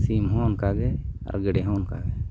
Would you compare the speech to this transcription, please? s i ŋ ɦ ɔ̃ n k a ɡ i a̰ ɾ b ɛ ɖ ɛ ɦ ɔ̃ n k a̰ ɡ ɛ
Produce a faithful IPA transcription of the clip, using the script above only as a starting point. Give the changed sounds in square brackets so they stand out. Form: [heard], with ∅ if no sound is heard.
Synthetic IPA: s i [m] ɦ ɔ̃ n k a ɡ [ɛ] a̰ ɾ [ɡ] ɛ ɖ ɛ ɦ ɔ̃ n k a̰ ɡ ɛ